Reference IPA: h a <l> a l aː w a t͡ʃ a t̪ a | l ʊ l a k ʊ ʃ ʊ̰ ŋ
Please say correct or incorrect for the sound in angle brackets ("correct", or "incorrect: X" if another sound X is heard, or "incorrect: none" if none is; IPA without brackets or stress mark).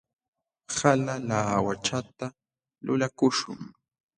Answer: correct